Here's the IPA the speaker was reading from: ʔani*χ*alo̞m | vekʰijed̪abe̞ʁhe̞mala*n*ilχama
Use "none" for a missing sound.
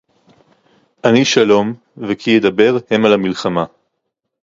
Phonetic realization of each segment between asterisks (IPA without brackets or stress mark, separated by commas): ʃ, m